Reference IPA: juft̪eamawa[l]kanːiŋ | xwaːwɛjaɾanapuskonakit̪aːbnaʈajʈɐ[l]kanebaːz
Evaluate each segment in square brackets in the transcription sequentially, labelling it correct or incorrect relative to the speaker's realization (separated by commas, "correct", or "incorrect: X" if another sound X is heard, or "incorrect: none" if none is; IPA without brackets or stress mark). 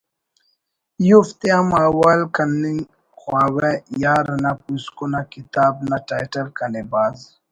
correct, correct